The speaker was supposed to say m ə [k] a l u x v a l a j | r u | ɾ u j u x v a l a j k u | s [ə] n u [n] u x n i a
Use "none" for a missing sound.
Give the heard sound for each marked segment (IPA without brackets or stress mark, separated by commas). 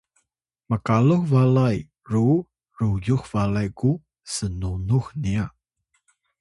k, ə, n